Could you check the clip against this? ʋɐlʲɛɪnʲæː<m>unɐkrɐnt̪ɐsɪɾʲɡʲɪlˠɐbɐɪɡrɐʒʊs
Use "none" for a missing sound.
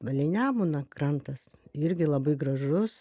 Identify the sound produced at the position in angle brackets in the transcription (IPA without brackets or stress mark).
m